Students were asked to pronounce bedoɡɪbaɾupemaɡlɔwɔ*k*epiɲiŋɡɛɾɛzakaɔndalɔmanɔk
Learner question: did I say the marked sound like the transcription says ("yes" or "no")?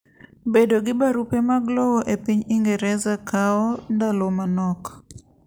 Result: no